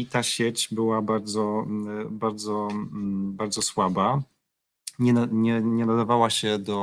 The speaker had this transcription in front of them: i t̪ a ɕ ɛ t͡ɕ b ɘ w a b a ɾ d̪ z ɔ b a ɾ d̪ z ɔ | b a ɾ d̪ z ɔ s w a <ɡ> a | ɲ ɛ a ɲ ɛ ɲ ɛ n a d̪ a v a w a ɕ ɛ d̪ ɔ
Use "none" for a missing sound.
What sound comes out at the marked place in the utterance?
b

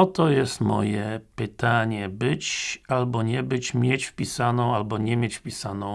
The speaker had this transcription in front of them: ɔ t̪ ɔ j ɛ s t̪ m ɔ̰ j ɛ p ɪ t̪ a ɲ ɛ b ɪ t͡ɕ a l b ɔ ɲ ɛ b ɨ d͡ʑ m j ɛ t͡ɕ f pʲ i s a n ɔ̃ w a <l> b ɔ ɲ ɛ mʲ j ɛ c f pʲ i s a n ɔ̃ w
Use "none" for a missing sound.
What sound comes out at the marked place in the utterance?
l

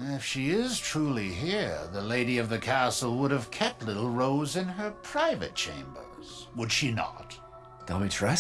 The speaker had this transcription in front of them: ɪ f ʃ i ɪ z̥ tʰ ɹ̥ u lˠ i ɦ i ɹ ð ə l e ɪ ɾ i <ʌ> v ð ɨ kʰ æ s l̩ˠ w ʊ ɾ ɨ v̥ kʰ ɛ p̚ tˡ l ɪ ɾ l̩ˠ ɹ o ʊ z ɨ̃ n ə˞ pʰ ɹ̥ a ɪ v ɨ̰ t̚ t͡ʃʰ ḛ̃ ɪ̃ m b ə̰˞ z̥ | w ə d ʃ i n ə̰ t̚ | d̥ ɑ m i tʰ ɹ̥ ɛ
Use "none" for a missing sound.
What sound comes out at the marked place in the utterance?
ʌ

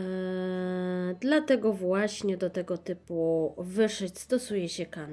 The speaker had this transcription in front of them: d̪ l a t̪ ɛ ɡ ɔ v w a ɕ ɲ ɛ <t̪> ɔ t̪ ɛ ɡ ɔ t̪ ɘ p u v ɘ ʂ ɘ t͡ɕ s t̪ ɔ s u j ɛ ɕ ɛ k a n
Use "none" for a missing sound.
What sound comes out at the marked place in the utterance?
d̪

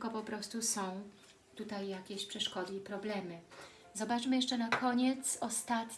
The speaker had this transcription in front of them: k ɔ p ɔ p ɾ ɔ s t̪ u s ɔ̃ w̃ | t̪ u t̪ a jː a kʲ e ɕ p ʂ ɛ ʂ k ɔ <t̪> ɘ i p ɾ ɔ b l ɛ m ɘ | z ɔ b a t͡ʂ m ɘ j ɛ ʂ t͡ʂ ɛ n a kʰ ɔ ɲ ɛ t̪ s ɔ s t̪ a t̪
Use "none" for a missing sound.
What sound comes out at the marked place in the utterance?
d̪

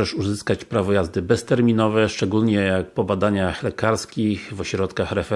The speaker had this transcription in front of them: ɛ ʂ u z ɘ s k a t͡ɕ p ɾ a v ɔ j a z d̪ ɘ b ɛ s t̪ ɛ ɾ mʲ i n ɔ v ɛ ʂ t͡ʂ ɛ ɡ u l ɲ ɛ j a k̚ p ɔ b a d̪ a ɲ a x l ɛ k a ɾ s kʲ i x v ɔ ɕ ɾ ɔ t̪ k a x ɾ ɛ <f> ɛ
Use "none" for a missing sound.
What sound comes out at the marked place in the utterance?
f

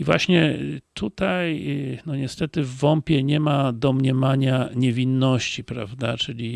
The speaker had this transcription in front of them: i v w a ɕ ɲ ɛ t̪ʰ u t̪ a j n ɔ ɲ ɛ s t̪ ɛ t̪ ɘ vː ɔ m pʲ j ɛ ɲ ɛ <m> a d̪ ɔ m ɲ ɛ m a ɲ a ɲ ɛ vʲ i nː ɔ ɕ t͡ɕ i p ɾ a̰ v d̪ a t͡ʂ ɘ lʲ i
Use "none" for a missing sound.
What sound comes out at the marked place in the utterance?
m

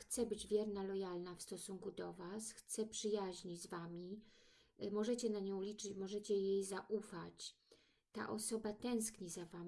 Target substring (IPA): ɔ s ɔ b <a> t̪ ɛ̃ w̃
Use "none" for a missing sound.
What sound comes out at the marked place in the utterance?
a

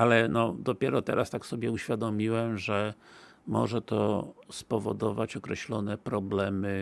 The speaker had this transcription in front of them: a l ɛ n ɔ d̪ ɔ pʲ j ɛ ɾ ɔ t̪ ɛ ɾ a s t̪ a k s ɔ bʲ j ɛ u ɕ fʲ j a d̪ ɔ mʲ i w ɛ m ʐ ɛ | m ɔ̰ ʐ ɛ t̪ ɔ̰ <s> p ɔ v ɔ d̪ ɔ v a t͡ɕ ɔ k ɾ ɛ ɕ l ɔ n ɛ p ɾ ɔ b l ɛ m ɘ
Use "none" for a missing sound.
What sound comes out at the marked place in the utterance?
s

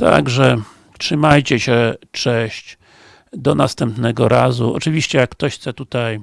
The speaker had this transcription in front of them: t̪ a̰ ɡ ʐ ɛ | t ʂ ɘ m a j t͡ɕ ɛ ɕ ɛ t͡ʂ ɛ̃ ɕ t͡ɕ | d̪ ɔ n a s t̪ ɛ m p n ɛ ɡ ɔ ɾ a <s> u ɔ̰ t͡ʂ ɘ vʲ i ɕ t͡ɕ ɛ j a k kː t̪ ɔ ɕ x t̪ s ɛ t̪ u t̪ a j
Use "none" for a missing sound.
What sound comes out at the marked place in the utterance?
z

